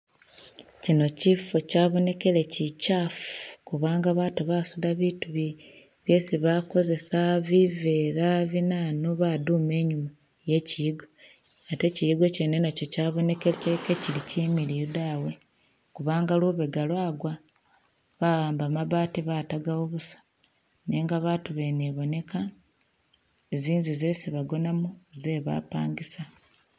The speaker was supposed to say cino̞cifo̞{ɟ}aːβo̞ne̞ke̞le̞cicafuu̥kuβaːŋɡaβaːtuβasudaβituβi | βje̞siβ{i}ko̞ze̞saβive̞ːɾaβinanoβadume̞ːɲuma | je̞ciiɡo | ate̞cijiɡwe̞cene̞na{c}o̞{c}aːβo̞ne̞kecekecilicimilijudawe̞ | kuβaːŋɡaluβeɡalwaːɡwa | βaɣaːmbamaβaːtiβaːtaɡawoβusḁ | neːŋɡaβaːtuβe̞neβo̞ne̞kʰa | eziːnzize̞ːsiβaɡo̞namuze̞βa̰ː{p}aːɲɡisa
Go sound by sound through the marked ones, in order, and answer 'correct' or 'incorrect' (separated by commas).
incorrect, incorrect, correct, correct, correct